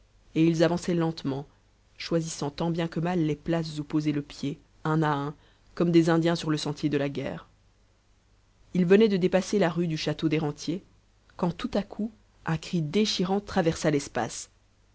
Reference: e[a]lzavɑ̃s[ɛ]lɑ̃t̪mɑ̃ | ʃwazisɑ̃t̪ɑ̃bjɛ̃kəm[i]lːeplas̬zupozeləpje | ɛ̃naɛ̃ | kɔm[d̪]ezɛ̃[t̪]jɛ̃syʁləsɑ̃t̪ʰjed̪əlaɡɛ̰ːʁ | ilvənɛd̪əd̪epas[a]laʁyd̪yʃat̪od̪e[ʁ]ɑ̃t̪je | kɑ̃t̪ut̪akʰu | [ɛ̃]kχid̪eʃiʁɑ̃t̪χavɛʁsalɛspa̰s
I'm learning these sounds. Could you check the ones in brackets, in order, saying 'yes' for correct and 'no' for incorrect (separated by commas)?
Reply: no, yes, no, yes, no, no, yes, yes